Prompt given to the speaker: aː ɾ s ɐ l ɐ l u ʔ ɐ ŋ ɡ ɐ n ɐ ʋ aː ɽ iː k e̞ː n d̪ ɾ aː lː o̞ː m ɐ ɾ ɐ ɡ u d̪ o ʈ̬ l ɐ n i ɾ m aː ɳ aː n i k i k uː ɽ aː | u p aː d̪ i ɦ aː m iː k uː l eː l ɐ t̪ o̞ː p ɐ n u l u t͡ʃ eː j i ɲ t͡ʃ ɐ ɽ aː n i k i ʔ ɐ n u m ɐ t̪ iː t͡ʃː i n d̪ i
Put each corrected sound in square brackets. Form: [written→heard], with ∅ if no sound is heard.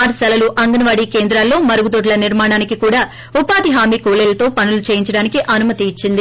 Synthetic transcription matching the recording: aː ɾ s ɐ l ɐ l u ʔ ɐ ŋ ɡ ɐ n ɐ ʋ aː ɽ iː k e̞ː n d̪ ɾ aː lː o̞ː m ɐ ɾ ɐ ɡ u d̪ o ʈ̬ l ɐ n i ɾ m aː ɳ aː n i k i k uː ɽ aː | u p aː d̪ i ɦ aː m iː k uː l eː l ɐ t̪ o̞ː p ɐ n u l u t͡ʃ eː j i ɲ t͡ʃ ɐ ɽ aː n i k i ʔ ɐ n u m ɐ t̪ iː t͡ʃː i n d̪ i